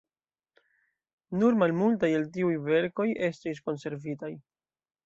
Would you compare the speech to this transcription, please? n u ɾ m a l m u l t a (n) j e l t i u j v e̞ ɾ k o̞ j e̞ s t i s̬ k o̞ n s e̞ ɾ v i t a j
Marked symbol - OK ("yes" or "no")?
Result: no